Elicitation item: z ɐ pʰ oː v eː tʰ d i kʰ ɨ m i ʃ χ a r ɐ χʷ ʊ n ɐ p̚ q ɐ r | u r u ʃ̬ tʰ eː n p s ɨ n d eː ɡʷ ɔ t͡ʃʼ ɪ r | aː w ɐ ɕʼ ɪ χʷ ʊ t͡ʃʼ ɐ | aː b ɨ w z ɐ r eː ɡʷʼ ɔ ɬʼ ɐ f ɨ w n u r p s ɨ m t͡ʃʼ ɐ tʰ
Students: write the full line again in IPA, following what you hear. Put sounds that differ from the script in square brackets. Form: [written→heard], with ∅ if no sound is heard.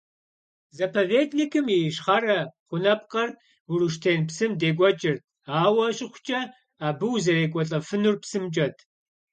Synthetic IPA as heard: z ɐ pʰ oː v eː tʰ [d→n] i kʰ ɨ m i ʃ χ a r ɐ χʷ ʊ n ɐ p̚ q ɐ r | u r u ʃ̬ tʰ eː n p s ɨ [n→m] d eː ɡʷ ɔ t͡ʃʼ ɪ r | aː w ɐ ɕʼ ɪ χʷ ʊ t͡ʃʼ ɐ | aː b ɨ w z ɐ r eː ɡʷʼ ɔ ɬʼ ɐ f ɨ [w→∅] n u r p s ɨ m t͡ʃʼ ɐ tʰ